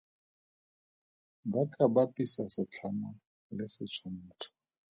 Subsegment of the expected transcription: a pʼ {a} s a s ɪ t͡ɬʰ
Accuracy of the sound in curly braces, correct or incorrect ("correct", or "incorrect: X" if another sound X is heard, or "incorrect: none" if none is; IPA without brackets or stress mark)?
incorrect: i